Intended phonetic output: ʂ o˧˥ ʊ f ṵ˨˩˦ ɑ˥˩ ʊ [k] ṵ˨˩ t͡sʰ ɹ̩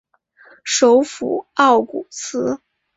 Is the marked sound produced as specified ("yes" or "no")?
yes